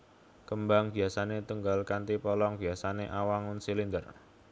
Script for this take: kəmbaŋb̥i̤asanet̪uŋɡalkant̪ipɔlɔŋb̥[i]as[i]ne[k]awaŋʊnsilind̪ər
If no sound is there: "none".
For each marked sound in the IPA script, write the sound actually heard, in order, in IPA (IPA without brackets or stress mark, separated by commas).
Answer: i, a, ʔ